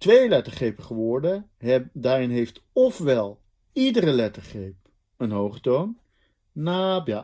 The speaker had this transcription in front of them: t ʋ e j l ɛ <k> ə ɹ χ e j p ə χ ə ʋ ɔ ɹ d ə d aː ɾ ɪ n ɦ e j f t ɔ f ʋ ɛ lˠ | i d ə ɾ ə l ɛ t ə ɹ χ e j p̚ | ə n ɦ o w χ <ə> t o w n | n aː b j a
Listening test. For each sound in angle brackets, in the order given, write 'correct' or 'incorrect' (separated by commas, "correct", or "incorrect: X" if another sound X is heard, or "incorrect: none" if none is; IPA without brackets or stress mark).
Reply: incorrect: t, correct